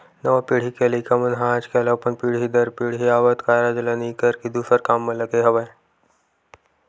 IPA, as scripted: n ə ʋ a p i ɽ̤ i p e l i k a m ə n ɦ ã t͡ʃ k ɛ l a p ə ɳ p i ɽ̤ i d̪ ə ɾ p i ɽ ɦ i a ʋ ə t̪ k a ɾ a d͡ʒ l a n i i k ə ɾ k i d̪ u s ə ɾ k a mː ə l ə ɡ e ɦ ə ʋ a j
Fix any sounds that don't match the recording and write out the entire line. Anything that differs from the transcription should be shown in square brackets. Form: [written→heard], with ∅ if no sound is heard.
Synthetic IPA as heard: n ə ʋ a p i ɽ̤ i [p→k] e l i k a m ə n ɦ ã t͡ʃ k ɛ l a p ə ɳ p i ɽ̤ i d̪ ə ɾ p i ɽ ɦ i a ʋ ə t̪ k a ɾ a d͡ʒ l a n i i k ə ɾ k i d̪ u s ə ɾ k a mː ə l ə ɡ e ɦ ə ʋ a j